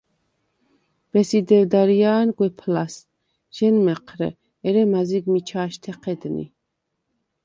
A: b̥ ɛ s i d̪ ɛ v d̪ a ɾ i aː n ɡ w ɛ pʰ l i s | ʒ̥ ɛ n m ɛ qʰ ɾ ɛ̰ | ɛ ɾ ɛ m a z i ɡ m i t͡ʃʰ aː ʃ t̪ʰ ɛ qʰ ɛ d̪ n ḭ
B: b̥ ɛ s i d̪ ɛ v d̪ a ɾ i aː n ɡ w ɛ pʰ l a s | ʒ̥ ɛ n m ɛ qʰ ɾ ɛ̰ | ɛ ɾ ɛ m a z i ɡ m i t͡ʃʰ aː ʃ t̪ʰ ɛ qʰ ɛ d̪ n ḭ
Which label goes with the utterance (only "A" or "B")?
B